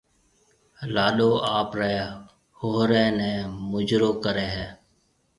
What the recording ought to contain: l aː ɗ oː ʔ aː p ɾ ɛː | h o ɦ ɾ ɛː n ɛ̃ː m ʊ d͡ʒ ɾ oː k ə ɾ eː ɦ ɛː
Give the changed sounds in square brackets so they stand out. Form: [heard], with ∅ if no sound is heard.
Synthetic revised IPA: l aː ɗ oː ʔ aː p ɾ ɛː | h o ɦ ɾ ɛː n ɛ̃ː m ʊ d͡ʒ ɾ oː k ə ɾ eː ɦ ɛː